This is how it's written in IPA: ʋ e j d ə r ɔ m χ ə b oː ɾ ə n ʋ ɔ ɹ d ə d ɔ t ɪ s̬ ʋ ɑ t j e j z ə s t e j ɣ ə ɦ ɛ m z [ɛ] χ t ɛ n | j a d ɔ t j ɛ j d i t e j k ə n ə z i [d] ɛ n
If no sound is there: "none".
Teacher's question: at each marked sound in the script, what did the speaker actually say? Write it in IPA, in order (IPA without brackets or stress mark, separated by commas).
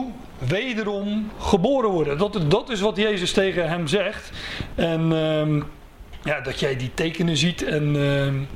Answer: ɛ, t